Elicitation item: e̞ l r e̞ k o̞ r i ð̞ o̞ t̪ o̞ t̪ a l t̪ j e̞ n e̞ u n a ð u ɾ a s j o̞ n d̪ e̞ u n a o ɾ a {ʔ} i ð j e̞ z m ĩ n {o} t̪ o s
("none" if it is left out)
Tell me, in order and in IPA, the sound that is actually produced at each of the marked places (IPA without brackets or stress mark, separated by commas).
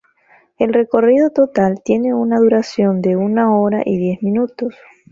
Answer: ʔ, u